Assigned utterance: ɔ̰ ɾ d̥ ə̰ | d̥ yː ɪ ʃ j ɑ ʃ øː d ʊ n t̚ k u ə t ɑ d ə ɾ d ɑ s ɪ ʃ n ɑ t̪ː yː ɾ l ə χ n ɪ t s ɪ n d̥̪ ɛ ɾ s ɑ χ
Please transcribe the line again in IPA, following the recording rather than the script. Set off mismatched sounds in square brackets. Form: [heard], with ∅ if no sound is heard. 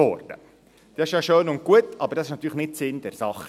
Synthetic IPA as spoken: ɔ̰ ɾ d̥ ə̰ | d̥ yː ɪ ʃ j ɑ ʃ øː [n] ʊ n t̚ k u ə t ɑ [b] ə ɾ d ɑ s ɪ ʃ n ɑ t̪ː yː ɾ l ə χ n ɪ t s ɪ n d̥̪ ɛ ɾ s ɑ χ